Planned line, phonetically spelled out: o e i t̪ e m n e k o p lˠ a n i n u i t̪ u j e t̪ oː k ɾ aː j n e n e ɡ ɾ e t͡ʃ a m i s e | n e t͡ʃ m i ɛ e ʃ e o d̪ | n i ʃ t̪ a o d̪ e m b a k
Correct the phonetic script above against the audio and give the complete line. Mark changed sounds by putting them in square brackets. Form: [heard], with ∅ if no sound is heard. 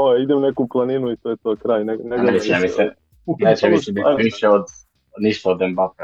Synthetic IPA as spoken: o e i [d̪] e m n e k [u] p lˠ a n i n u i t̪ [o] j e t̪ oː k ɾ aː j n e n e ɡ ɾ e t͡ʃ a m i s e | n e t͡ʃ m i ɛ [i] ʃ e o d̪ | n i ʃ t̪ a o d̪ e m b a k